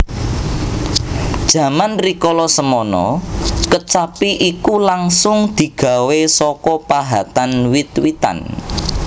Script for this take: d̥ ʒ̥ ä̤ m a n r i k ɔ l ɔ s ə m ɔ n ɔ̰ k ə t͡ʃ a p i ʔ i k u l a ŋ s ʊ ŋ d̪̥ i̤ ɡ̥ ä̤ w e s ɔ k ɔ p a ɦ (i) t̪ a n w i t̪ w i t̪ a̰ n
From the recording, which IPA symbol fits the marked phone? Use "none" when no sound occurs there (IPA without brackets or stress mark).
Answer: a